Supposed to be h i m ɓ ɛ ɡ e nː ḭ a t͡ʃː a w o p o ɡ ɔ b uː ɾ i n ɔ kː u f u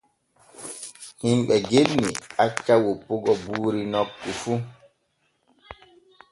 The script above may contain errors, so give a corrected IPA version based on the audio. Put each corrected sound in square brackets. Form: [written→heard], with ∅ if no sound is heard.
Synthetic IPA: h i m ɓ ɛ ɡ e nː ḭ a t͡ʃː a w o p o ɡ ɔ b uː ɾ i n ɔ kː u f u